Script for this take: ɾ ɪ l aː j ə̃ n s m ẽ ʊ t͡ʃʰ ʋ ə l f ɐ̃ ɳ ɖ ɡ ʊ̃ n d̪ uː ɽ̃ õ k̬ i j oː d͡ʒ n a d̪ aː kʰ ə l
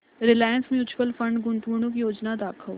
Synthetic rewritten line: ɾ ɪ l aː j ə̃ n s m ẽ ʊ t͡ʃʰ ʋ ə l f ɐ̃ ɳ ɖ ɡ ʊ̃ n t̪ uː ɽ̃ õ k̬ i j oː d͡ʒ n a d̪ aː kʰ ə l